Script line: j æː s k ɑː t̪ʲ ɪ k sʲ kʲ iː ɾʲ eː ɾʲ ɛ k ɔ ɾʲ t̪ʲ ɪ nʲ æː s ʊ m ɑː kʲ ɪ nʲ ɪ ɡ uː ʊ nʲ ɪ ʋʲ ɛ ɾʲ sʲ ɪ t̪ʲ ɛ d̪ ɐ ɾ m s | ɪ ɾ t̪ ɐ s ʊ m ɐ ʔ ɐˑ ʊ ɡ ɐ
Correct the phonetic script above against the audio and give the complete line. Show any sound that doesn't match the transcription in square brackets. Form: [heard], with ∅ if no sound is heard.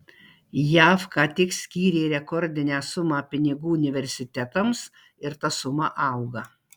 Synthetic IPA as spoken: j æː [f] k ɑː t̪ʲ ɪ k sʲ kʲ iː ɾʲ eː ɾʲ ɛ k ɔ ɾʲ [d̪ʲ] ɪ nʲ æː s ʊ m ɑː [pʲ] ɪ nʲ ɪ ɡ uː ʊ nʲ ɪ ʋʲ ɛ ɾʲ sʲ ɪ t̪ʲ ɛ [t̪] ɐ [∅] m s | ɪ ɾ t̪ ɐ s ʊ m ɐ ʔ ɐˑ ʊ ɡ ɐ